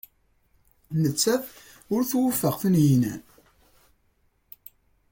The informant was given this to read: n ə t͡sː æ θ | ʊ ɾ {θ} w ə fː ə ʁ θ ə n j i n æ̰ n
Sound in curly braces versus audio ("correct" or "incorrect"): correct